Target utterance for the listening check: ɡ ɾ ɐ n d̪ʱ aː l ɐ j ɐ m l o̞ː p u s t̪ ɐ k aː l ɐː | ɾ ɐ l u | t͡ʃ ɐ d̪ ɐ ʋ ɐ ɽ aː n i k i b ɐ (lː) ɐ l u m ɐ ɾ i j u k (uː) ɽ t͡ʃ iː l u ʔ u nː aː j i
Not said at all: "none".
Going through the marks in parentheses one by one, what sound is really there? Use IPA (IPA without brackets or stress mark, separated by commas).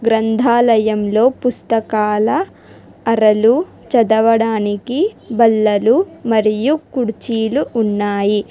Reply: lː, u